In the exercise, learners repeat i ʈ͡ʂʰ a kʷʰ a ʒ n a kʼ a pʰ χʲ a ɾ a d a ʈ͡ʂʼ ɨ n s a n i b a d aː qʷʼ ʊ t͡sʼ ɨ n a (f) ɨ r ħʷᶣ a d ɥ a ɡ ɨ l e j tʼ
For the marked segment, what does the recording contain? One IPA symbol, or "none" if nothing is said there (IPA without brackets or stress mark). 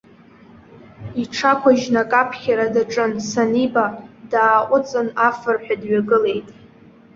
f